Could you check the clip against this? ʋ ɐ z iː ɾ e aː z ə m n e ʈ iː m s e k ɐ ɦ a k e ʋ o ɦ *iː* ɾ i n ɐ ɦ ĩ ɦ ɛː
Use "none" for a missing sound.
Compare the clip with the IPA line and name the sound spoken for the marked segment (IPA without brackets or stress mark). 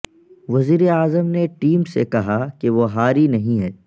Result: aː